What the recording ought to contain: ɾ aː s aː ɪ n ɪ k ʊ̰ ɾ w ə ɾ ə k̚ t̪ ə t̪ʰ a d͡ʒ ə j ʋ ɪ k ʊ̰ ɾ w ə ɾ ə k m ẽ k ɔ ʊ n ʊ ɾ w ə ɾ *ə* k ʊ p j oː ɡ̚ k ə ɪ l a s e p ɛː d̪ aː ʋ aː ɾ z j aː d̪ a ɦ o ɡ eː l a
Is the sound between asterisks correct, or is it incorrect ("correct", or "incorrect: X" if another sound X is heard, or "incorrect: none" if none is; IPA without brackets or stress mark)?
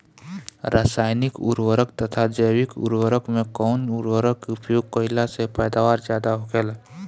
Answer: correct